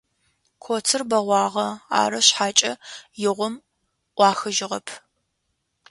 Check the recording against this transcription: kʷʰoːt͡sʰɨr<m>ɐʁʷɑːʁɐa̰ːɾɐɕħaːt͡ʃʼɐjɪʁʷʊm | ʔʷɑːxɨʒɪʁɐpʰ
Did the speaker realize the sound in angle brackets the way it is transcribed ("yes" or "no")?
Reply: no